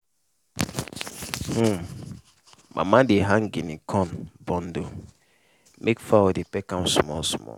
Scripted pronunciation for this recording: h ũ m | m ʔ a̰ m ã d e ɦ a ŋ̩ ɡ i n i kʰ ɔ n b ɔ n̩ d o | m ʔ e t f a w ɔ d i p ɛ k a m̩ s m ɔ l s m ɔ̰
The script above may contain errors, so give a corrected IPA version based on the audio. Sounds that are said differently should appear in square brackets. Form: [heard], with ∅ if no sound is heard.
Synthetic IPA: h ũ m | m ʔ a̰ m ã d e ɦ a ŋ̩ ɡ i n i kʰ ɔ n b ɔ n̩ d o | m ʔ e [k] f a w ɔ d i p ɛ k a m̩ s m ɔ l s m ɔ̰